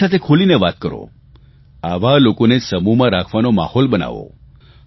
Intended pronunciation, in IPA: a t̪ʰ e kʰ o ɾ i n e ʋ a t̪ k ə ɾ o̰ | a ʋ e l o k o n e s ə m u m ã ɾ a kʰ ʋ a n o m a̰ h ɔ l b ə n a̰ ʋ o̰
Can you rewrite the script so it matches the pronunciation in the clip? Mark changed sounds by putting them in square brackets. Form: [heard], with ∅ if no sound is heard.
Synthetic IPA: a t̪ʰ e kʰ o [l] i n e ʋ a t̪ k ə ɾ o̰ | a ʋ [a] l o k o n e s ə m u m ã ɾ a kʰ ʋ a n o m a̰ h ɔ l b ə n a̰ ʋ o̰